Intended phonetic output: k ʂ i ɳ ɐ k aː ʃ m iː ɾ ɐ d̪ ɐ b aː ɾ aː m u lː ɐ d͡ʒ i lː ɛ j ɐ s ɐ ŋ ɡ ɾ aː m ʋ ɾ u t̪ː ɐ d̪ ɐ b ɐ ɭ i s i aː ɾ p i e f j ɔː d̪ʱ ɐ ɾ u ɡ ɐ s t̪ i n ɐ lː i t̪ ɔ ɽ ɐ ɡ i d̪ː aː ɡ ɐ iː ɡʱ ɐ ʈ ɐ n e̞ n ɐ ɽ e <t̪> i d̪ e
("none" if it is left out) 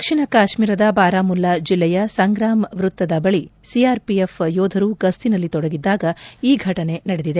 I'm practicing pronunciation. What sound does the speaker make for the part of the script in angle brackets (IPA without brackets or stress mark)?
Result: d̪